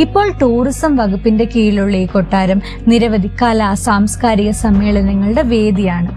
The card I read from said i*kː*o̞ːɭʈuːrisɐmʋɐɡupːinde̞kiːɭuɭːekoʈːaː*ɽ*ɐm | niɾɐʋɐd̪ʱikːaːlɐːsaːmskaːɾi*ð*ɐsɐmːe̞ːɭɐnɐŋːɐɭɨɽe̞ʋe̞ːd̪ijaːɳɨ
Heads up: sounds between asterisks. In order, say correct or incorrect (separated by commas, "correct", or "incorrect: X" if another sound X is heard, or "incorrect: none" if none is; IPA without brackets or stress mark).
incorrect: pː, incorrect: ɾ, incorrect: ɣ